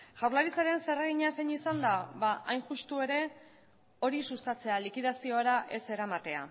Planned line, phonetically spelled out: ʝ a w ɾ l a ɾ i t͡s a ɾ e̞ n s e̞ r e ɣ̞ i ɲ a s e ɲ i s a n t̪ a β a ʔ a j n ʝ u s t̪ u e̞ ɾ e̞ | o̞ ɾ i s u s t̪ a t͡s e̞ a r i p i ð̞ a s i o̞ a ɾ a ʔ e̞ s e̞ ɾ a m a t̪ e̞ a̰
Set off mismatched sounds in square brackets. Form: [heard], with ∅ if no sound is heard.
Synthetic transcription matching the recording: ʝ a w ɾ l a ɾ i t͡s a ɾ e̞ n s e̞ r e ɣ̞ i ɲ a s e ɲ i s a n [d̪] a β a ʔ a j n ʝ u s t̪ u e̞ ɾ e̞ | o̞ ɾ i s u s t̪ a t͡s e̞ a [l] i [k] i ð̞ a s i o̞ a ɾ a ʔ e̞ s e̞ ɾ a m a t̪ e̞ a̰